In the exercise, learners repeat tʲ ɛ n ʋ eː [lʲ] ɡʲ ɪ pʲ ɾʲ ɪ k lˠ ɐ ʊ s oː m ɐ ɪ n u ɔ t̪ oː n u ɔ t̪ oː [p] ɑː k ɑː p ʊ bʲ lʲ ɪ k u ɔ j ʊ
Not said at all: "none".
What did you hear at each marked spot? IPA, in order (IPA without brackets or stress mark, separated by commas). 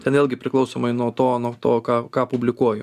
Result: lʲ, k